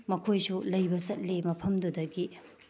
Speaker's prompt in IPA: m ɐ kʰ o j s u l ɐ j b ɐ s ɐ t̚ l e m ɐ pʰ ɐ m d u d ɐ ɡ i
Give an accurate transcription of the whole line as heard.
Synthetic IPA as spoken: m ɐ kʰ o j s u l ɐ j b ɐ s ɐ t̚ l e m ɐ pʰ ɐ m d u d ɐ ɡ i